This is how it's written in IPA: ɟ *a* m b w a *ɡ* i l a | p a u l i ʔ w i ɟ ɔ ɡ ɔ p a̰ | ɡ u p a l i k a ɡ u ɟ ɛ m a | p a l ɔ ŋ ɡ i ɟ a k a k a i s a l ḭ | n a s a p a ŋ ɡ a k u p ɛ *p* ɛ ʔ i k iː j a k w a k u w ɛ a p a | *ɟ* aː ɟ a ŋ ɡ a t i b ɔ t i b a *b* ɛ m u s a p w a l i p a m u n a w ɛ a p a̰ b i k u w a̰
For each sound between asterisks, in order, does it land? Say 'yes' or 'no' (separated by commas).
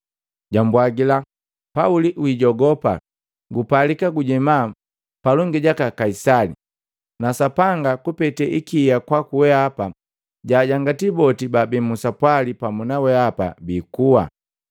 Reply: yes, yes, no, yes, yes